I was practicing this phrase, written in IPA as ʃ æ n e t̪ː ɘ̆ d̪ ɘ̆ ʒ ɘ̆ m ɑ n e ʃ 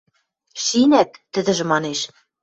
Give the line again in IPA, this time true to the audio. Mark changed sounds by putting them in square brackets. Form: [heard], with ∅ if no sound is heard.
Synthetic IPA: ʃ [i] n [æ] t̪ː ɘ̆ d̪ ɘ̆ ʒ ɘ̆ m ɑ n e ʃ